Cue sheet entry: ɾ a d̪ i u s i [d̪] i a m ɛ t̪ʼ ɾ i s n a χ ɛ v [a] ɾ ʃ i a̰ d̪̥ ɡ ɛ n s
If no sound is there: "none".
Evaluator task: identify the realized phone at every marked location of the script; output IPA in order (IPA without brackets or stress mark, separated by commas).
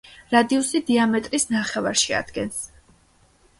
d̪, a